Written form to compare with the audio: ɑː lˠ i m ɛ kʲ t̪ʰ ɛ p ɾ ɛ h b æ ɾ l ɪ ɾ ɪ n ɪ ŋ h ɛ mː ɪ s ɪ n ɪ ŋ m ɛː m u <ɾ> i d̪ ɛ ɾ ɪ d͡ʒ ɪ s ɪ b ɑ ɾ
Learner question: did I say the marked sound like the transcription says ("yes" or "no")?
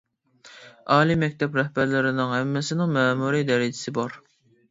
yes